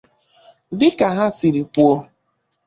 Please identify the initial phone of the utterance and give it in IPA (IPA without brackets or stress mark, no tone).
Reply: d